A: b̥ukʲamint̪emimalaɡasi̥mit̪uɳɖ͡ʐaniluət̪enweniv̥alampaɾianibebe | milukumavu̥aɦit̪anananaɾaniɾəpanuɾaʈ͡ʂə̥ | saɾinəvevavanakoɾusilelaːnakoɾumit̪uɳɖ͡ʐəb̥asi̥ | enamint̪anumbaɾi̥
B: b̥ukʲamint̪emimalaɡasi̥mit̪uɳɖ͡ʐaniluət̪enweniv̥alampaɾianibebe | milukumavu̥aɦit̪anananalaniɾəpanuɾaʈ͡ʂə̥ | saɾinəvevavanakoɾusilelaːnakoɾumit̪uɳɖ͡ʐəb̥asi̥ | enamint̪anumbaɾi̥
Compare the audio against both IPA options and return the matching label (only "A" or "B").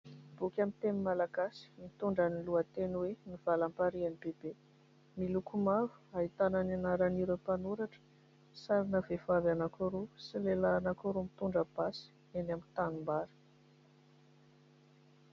A